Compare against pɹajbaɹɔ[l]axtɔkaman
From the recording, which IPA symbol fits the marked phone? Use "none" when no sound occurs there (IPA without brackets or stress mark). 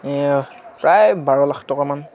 l